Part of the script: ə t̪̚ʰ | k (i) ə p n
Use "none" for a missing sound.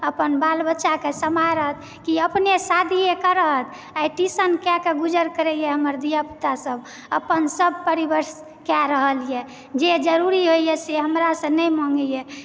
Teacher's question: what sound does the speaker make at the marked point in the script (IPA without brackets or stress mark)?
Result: i